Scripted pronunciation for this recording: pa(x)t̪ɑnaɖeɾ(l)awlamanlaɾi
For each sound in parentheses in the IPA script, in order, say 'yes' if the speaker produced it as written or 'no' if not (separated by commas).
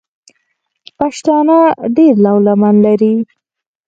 no, yes